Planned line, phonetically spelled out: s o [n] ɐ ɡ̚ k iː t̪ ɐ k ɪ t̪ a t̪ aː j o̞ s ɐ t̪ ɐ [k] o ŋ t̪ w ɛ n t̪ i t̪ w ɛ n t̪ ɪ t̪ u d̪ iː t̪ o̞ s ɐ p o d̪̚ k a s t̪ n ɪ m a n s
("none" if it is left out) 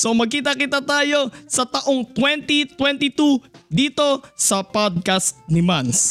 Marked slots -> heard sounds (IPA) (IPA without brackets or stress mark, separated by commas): m, ʔ